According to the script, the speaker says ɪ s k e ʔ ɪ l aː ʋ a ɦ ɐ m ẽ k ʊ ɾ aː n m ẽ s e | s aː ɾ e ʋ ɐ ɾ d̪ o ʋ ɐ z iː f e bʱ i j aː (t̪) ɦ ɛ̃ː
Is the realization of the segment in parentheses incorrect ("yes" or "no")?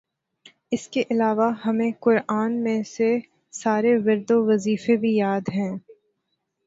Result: yes